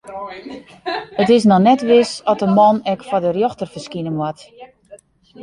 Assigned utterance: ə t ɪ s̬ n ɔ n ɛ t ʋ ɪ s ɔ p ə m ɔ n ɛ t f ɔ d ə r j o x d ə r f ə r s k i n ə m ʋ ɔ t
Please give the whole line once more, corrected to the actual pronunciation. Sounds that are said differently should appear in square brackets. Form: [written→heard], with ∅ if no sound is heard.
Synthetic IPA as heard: ə t ɪ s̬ n ɔ n ɛ t ʋ ɪ s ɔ [p→t] ə m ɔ n ɛ [t→k] f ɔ d ə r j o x [d→t] ə r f ə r s k i n ə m [ʋ→w] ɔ t